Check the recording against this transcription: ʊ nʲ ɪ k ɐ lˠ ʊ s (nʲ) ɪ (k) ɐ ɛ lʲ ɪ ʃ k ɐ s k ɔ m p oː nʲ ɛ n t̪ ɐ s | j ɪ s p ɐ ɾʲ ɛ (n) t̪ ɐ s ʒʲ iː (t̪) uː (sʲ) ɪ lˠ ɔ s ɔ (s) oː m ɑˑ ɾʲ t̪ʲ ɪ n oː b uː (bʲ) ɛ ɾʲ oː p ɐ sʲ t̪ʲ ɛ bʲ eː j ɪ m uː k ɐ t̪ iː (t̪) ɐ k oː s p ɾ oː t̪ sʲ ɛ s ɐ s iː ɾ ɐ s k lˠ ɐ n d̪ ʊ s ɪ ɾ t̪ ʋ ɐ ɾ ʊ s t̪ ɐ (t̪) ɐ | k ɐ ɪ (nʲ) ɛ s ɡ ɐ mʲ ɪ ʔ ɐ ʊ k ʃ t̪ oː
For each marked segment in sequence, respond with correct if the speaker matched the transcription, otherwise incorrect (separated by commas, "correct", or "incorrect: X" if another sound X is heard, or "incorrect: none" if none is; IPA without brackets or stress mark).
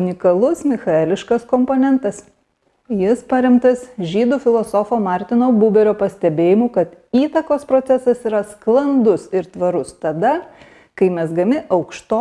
incorrect: mʲ, incorrect: x, incorrect: m, incorrect: d̪, incorrect: fʲ, incorrect: f, correct, correct, incorrect: d̪, incorrect: mʲ